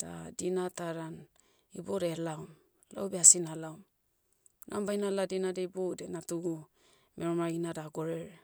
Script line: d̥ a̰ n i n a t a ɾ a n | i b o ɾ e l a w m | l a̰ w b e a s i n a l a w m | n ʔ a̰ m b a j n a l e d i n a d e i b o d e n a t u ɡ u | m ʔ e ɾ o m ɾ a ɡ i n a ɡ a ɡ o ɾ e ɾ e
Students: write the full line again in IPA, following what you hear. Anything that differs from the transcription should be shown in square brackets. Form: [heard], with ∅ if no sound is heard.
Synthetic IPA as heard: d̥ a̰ [d] i n a t a ɾ a n | i b o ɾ e l a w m | l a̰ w b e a s i n a l a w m | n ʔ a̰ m b a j n a l [a] d i n a d e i b o d e n a t u ɡ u | m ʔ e ɾ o m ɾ a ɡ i n a [d] a ɡ o ɾ e ɾ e